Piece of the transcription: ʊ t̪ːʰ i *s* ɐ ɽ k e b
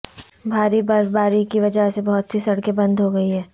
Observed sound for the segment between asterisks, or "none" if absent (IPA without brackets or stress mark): s